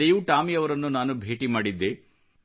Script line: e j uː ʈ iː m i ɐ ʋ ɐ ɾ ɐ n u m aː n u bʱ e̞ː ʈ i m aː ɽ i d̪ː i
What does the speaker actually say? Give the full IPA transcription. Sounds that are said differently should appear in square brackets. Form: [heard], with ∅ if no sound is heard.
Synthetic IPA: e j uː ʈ [aː] m i ɐ ʋ ɐ ɾ ɐ [nː] u [n] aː n u bʱ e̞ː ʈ i m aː ɽ i d̪ː [e]